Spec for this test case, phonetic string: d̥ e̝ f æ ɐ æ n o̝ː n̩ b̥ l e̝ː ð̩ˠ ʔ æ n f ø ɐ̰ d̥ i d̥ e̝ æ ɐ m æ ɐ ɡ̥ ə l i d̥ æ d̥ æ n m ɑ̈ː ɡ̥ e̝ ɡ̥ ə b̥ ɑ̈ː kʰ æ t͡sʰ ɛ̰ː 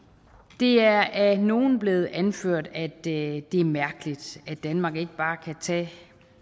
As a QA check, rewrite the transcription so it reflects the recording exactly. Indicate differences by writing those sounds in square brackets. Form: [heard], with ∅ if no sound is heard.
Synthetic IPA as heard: d̥ e̝ [∅] æ ɐ æ n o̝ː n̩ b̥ l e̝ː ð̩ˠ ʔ æ n f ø ɐ̰ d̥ [æ] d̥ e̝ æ ɐ m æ ɐ ɡ̥ ə l i d̥ æ d̥ æ n m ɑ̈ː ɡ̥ e̝ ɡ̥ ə b̥ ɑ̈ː kʰ æ t͡sʰ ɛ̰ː